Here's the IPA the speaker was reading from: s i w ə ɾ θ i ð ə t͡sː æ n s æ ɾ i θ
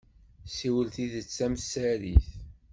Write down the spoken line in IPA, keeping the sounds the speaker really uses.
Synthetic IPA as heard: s i w ə l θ i ð ə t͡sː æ m s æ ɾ i θ